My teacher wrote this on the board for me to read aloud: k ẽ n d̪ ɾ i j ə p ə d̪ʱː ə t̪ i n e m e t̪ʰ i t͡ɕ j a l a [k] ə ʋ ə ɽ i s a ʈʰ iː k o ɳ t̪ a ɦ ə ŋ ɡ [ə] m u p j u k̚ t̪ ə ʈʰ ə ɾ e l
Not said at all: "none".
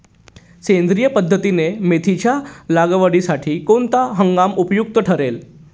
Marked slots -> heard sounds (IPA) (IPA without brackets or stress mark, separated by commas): ɡ, a